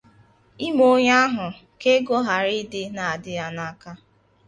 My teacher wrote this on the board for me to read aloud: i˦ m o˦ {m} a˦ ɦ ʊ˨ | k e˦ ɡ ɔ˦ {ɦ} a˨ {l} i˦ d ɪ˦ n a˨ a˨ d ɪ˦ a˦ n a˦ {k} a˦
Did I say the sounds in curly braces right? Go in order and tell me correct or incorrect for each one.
incorrect, correct, incorrect, correct

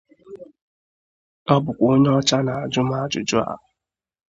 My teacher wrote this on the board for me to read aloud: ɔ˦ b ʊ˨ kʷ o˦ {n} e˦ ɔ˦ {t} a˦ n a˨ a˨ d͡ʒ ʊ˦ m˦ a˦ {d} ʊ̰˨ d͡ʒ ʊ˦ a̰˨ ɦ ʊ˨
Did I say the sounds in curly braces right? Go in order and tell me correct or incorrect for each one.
incorrect, incorrect, incorrect

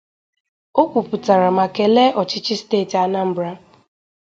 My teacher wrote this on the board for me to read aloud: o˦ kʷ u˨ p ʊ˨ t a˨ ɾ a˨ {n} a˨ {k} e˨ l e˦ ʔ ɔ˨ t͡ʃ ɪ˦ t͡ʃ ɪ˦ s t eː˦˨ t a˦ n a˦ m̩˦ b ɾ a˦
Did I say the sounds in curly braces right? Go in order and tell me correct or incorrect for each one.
incorrect, correct

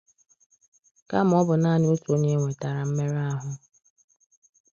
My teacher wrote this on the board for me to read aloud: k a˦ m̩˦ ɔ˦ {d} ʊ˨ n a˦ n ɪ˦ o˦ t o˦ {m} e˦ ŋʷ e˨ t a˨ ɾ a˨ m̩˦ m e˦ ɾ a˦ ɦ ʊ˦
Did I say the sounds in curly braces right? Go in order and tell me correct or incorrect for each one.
incorrect, incorrect

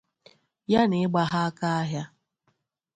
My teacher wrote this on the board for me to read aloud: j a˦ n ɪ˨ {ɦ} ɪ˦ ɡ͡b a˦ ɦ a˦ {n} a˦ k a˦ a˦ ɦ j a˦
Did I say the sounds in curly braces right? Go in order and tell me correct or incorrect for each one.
incorrect, incorrect

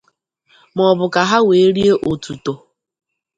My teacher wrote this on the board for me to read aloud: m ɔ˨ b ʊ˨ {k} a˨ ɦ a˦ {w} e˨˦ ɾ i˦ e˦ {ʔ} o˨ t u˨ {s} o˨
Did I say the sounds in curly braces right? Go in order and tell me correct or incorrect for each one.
correct, correct, correct, incorrect

